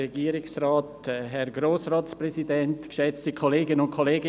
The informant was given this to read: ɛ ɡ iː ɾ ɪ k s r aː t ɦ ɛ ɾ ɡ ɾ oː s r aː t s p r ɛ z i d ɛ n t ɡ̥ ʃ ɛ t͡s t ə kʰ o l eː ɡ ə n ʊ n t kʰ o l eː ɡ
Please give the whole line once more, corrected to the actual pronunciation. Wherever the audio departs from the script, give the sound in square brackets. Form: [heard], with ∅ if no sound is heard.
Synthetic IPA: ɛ ɡ iː ɾ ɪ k s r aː t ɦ ɛ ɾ ɡ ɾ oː s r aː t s p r ɛ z i d ɛ n t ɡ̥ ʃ ɛ t͡s t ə kʰ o l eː ɡ ə n ʊ n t kʰ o l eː ɡ